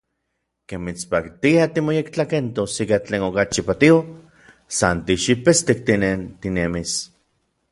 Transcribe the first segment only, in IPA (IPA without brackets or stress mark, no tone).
k